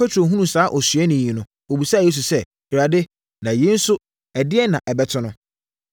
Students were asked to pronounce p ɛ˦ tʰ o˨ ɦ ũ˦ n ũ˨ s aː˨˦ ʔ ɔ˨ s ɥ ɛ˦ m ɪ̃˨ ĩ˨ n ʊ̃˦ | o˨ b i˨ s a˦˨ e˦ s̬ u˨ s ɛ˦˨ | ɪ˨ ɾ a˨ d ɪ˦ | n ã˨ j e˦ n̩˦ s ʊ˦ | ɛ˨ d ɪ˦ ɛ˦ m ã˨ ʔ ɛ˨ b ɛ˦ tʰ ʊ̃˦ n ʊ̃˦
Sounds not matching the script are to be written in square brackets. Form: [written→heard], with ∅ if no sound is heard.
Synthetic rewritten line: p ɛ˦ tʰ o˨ ɦ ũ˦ n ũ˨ s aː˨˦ ʔ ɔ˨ s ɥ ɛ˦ [m→n] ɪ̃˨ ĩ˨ n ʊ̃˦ | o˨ b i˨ s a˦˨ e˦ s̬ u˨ s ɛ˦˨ | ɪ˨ ɾ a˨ d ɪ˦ | n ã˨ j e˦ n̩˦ s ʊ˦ | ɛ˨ d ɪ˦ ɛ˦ [m→n] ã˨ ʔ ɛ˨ b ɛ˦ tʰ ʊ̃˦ n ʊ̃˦